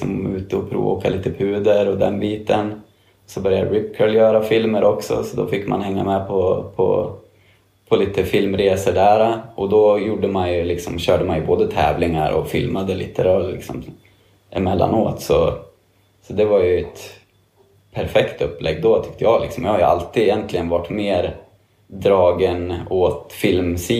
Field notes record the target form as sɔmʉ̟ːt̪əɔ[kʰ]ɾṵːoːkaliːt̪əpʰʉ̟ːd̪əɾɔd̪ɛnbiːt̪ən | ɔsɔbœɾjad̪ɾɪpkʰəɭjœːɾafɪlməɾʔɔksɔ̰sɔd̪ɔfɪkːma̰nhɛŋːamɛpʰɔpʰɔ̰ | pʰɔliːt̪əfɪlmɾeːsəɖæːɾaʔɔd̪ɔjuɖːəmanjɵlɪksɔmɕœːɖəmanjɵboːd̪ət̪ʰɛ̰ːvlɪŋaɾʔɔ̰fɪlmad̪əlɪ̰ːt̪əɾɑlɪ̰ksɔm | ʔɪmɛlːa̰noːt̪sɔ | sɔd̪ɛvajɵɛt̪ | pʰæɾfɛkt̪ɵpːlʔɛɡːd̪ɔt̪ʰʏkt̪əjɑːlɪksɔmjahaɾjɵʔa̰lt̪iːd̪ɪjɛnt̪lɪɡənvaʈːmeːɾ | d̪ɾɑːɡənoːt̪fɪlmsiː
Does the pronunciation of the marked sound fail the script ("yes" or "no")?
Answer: yes